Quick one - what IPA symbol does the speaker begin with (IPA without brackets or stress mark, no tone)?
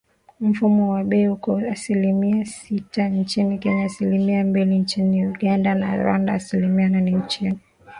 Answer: m̩